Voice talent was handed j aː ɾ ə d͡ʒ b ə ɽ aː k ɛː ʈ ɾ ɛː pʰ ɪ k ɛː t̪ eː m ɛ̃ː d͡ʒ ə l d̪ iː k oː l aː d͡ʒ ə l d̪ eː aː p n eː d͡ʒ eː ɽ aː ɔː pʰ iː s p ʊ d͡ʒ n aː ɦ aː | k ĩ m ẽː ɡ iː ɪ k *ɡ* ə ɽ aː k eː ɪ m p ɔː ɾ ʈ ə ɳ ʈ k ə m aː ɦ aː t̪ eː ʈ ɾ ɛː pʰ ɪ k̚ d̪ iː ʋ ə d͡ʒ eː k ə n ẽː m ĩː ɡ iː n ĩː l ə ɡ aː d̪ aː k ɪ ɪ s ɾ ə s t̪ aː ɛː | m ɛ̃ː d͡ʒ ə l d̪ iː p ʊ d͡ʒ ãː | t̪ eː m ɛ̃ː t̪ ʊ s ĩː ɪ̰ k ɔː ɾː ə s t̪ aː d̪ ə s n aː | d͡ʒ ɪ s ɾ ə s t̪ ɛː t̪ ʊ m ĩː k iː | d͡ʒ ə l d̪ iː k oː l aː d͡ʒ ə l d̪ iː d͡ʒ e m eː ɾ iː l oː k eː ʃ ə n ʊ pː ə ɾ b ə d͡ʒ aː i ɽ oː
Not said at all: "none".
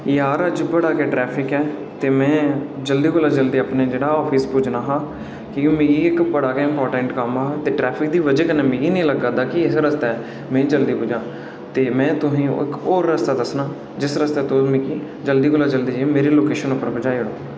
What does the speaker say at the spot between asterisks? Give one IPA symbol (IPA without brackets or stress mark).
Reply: b